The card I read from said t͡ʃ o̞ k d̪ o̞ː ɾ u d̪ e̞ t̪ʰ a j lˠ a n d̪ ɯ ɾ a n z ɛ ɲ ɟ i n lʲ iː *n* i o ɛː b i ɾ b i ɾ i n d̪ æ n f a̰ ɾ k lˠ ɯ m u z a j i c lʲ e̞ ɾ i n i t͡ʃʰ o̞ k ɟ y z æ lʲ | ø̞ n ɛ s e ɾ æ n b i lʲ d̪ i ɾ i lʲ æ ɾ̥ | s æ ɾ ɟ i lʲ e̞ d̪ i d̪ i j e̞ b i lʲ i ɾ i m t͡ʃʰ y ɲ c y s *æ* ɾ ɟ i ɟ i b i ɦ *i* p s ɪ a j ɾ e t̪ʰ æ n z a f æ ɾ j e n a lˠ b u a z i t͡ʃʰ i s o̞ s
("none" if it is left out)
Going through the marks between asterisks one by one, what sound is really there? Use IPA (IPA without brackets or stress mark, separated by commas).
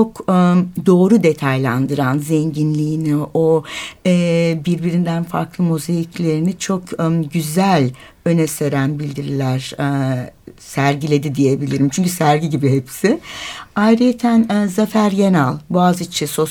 n, æ, e